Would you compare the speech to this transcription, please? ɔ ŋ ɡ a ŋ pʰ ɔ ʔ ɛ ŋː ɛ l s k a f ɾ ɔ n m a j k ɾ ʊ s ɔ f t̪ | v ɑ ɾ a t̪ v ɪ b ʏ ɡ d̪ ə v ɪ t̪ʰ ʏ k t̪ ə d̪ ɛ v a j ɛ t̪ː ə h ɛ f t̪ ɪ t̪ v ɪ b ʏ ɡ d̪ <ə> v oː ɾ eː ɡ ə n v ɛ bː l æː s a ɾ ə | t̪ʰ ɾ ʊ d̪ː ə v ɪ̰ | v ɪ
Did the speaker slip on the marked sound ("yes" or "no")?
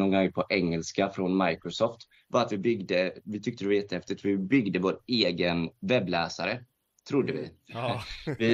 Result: no